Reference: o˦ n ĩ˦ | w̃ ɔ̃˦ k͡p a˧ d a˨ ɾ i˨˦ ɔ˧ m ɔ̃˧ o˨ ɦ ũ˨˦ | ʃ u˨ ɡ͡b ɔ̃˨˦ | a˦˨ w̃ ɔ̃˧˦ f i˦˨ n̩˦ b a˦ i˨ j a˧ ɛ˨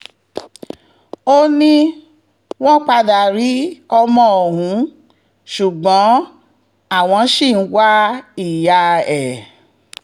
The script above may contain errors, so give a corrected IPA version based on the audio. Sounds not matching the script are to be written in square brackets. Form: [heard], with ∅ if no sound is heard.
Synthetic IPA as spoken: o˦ n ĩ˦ | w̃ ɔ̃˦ k͡p a˧ d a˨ ɾ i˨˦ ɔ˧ m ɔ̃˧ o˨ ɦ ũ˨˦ | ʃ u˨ ɡ͡b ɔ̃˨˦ | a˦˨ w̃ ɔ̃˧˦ [ʃ] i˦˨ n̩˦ [w] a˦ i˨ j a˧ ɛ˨